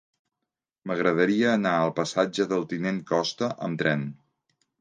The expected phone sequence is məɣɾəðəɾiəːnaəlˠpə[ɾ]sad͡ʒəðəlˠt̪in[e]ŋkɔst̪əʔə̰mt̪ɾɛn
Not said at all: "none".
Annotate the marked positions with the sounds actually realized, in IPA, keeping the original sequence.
none, e

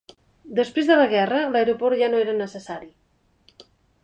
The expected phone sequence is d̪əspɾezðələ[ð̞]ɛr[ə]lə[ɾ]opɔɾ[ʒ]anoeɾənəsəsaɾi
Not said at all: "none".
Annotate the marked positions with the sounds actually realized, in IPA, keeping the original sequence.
ɣ̞, ə, ɾ, ʒ

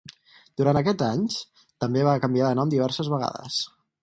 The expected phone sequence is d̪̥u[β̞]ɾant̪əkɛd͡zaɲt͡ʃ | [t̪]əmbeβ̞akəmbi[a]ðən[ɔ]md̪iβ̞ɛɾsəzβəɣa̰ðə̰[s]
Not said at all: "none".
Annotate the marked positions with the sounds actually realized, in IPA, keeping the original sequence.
none, t̪, a, ɔ, s

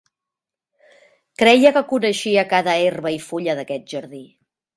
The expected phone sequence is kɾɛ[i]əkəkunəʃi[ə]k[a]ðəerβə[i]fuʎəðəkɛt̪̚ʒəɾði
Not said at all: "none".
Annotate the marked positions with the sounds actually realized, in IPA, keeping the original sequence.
j, ə, a, i

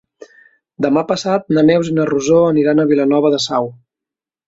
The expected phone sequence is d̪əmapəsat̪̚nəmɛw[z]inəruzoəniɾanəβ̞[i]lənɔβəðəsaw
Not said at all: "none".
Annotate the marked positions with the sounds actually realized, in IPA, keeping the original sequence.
z, i

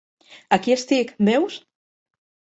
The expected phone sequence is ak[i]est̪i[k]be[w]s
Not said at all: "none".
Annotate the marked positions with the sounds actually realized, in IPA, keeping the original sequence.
i, k, w

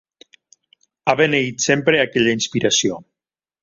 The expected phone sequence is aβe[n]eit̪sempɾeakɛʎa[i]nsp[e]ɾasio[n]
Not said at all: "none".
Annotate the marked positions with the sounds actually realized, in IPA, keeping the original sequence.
n, i, i, none

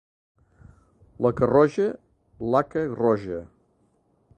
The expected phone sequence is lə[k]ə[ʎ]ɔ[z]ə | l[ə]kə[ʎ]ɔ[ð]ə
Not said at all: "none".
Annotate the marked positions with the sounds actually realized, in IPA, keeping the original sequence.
k, r, ʒ, a, r, ʒ

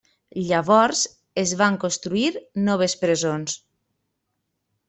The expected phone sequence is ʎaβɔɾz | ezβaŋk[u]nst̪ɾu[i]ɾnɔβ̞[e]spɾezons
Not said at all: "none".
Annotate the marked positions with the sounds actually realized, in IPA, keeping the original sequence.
o, i, e

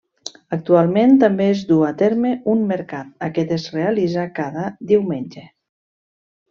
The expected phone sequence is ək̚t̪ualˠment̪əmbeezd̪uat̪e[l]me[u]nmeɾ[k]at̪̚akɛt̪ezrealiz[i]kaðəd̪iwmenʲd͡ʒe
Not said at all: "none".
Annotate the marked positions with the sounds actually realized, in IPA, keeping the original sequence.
ɾ, u, k, a

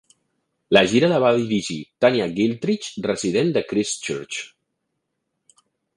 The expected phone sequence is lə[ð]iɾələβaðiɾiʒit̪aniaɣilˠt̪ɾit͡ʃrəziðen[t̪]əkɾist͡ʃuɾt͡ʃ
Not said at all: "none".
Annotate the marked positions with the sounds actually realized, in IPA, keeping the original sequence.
ʒ, d̪

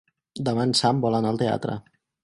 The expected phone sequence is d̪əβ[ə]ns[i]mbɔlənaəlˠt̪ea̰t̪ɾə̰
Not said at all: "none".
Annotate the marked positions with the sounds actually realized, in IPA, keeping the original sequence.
a, a

